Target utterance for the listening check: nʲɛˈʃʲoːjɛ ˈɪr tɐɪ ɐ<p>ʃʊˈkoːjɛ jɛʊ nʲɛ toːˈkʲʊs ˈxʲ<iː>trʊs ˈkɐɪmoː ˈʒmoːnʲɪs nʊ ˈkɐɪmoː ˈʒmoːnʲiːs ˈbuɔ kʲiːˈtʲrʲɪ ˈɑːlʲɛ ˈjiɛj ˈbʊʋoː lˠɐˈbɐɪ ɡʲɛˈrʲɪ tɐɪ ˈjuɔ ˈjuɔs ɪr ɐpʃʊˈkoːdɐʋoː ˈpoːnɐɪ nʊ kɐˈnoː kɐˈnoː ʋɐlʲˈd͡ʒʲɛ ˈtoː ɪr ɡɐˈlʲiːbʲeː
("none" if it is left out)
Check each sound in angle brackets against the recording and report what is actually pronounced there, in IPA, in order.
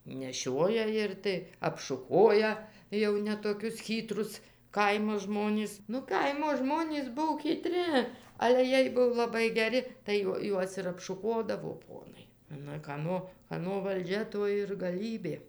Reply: p, iː

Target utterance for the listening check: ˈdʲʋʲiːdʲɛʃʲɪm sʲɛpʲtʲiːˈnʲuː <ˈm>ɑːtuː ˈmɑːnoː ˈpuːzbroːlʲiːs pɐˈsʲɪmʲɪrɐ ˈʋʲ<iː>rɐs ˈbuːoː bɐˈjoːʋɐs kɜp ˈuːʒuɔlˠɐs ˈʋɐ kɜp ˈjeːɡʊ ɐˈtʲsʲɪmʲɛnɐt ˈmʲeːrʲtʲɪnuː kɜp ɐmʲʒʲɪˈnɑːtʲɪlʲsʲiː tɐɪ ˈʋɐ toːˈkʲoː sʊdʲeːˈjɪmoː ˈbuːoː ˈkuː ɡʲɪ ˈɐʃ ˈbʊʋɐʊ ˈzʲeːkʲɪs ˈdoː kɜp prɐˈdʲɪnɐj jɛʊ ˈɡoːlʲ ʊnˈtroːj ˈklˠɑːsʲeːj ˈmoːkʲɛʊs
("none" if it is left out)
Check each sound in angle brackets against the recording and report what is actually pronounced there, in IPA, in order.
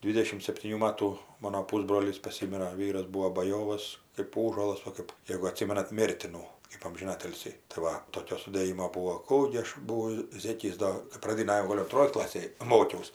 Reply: m, iː

